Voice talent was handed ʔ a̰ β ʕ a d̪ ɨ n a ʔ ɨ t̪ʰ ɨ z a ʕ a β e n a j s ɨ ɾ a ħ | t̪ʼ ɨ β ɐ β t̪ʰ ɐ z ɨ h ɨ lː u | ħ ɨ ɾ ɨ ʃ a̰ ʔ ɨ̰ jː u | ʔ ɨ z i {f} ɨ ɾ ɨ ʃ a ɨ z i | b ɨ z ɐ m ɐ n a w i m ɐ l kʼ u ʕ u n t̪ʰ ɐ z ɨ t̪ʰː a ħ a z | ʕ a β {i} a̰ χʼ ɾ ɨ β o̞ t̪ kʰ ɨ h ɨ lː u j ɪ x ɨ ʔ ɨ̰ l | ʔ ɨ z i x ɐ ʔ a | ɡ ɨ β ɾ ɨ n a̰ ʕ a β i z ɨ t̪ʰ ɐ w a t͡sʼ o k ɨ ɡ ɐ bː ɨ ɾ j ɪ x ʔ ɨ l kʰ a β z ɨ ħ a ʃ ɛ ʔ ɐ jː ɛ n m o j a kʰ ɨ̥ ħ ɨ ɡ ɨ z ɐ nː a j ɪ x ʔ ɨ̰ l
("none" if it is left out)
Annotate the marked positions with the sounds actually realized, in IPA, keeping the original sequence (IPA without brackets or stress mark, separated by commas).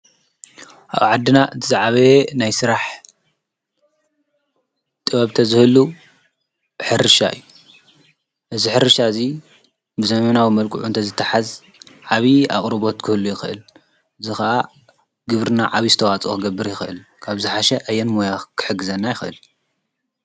ħ, i